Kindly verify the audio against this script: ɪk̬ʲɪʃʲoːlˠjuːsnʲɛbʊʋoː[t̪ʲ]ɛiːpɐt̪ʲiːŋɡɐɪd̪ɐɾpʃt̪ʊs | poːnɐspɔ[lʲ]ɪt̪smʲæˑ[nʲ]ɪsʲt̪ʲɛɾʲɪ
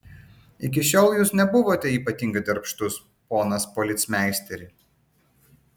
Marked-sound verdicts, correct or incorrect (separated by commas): correct, correct, incorrect